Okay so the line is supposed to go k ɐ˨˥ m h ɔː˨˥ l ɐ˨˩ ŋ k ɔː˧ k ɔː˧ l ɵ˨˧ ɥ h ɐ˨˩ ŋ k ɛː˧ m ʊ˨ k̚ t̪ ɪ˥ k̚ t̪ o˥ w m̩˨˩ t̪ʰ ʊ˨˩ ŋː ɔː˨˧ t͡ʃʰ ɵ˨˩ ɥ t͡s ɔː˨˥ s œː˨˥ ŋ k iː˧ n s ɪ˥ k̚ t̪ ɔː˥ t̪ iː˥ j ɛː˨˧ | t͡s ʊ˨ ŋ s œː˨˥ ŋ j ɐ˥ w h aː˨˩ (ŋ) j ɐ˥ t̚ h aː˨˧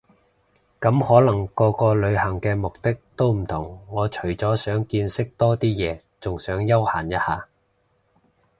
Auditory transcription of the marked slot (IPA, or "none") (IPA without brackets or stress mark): n